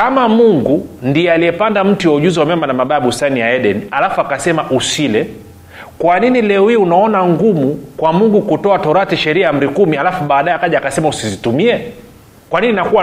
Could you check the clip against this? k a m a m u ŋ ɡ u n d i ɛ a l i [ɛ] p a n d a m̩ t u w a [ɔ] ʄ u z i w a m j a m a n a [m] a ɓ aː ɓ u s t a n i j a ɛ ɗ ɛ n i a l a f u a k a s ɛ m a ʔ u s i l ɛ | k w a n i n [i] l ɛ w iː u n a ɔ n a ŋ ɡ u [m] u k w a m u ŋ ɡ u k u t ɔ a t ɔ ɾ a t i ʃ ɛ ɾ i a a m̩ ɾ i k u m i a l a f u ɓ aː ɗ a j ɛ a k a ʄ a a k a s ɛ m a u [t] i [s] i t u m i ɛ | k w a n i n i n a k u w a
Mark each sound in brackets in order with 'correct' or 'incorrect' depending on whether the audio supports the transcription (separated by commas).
correct, incorrect, correct, correct, correct, incorrect, incorrect